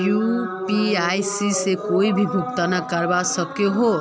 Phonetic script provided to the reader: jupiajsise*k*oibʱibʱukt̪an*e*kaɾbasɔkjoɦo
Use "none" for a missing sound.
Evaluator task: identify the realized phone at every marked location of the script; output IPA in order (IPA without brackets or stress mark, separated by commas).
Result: k, a